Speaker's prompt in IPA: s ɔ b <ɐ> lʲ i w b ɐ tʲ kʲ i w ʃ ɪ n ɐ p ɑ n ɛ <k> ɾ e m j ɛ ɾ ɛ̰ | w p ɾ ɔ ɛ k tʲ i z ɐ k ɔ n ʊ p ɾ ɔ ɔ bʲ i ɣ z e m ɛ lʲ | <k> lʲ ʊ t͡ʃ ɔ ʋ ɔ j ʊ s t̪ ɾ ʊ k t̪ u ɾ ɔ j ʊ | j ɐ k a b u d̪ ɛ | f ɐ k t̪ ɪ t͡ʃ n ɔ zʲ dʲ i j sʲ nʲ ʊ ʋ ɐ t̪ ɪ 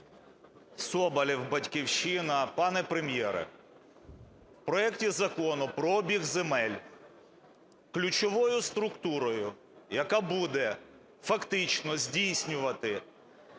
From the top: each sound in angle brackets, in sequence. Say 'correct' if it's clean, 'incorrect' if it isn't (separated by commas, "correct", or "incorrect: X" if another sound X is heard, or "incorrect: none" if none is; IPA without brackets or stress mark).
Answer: correct, incorrect: p, correct